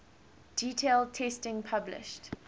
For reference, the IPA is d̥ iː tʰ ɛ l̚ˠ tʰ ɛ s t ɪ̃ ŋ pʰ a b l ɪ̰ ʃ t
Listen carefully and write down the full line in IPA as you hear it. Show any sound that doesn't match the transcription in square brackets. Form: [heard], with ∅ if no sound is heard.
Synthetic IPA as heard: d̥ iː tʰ [e] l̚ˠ tʰ ɛ s t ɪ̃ ŋ pʰ a b l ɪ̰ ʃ t